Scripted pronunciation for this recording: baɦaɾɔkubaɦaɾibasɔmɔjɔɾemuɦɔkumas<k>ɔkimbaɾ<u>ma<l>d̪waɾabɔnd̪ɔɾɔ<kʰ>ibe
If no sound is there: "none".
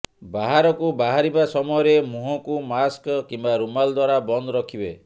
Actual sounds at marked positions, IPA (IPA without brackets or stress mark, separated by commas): k, u, l, kʰ